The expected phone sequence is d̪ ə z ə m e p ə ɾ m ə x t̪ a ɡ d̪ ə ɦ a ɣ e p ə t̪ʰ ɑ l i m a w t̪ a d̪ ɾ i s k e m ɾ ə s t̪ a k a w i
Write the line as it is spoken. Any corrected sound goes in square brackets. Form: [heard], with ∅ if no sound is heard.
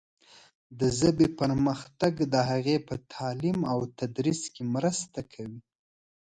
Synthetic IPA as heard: d̪ ə z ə [b] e p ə ɾ m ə x t̪ a ɡ d̪ ə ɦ a ɣ e p ə t̪ʰ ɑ l i m a w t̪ a d̪ ɾ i s k e m ɾ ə s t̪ a [kʰ] a w i